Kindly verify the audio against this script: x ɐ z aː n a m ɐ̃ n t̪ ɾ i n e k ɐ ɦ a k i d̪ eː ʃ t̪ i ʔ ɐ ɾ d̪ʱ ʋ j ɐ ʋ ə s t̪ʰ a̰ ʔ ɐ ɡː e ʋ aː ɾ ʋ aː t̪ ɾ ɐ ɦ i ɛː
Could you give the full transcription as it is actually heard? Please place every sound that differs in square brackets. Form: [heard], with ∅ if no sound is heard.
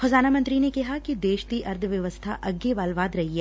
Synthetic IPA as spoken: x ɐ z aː n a m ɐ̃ n t̪ ɾ i n e k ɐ ɦ a k i d̪ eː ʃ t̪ i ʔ ɐ ɾ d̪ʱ ʋ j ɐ ʋ ə s t̪ʰ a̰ ʔ ɐ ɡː e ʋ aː [l] ʋ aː [d̪] ɾ ɐ ɦ i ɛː